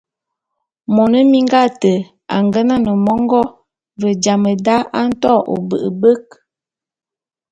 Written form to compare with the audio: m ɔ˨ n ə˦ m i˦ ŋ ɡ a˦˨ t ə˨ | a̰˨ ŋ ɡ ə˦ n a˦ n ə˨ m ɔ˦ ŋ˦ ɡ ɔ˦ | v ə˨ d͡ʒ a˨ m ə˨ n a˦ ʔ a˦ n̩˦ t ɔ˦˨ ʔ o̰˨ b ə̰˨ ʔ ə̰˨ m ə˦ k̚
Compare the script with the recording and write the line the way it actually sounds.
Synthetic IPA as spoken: m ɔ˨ n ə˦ m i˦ ŋ ɡ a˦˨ t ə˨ | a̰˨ ŋ ɡ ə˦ n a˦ n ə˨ m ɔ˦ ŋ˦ ɡ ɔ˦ | v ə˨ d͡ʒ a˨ m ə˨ d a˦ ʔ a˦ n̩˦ t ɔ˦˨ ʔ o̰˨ b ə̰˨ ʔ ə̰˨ b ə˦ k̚